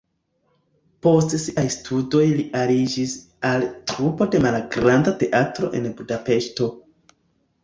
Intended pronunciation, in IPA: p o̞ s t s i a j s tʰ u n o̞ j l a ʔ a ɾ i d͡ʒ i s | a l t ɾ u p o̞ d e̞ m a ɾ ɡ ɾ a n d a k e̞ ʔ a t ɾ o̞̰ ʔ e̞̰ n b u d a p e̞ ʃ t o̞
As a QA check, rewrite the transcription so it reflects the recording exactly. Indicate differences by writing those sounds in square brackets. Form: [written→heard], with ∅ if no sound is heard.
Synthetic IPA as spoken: p o̞ s t s i a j s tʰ u [n→d] o̞ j l [a→i] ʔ a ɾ i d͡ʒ i s | a l t ɾ u p o̞ d e̞ m a [ɾ→l] ɡ ɾ a n d a [k→t] e̞ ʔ a t ɾ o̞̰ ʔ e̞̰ n b u d a p e̞ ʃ t o̞